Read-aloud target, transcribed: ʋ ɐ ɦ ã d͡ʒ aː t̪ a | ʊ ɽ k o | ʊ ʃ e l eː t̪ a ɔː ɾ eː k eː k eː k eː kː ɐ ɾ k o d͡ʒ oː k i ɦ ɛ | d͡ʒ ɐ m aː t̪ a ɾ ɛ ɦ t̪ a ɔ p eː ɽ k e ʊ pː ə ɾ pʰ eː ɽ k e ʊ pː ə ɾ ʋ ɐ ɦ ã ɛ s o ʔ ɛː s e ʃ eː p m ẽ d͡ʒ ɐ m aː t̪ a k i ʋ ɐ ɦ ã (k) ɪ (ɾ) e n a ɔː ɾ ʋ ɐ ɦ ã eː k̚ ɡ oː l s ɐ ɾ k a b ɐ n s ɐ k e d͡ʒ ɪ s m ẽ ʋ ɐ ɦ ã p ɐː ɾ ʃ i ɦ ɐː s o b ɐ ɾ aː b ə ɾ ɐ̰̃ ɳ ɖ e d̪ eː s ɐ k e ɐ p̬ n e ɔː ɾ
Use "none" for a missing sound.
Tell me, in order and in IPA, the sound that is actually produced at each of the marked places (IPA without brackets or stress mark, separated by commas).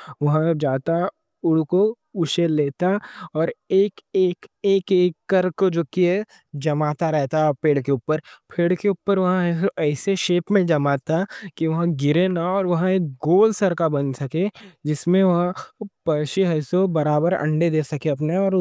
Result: ɡ, ɾ